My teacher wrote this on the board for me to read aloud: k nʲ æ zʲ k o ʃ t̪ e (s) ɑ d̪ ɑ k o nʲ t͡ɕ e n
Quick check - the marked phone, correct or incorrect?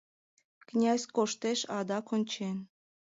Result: incorrect